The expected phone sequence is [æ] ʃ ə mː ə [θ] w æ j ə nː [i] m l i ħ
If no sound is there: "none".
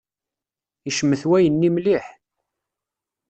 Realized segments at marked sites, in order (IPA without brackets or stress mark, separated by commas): i, θ, i